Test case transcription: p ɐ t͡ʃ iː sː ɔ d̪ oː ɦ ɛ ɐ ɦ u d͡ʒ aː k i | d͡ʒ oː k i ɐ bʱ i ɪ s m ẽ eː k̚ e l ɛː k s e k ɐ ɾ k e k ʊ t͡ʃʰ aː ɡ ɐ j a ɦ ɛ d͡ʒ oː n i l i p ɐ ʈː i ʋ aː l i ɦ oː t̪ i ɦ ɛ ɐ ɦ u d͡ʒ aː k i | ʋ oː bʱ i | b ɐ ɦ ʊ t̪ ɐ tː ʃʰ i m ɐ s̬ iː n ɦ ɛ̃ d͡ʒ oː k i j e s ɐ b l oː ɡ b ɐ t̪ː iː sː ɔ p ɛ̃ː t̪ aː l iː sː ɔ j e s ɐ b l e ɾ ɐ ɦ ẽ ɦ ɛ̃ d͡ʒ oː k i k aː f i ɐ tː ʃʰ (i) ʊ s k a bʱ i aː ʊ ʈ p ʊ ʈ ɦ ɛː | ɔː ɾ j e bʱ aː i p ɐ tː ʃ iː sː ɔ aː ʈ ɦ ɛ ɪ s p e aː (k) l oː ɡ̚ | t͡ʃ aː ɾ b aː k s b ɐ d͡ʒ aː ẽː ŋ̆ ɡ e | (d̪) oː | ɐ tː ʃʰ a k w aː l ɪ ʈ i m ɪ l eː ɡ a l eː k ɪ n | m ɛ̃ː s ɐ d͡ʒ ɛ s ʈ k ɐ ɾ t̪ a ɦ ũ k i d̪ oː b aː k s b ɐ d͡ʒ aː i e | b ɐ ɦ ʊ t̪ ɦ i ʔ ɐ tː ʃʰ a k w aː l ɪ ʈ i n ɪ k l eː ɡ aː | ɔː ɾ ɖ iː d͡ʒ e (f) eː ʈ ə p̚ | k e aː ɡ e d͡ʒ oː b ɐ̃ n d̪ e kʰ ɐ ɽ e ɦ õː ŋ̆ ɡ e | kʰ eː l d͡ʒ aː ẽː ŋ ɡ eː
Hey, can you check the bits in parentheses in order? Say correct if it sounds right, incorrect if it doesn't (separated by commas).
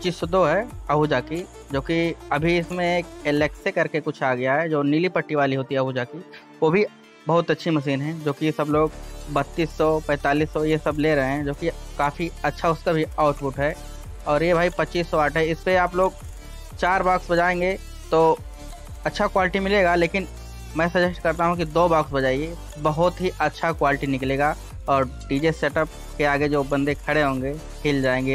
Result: incorrect, incorrect, incorrect, incorrect